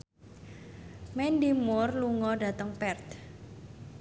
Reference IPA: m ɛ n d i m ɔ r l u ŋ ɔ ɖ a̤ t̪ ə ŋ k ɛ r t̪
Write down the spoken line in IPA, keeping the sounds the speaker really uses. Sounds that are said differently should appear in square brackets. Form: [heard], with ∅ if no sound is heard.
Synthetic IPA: m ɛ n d i m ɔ r l u ŋ ɔ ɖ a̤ t̪ ə ŋ [p] ɛ r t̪